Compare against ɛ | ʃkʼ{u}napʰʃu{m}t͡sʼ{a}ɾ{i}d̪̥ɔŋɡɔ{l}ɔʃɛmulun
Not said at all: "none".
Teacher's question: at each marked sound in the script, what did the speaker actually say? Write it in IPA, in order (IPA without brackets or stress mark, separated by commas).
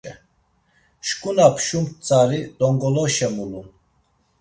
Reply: u, m, a, i, l